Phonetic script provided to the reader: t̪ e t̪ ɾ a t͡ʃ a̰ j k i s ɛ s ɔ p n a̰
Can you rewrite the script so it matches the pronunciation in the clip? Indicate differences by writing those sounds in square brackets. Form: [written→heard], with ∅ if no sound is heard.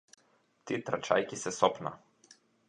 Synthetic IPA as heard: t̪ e t̪ ɾ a t͡ʃ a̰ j k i s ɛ s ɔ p n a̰